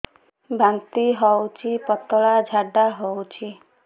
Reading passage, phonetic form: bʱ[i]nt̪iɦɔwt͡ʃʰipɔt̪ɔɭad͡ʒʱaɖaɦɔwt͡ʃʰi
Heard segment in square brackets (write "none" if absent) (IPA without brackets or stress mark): a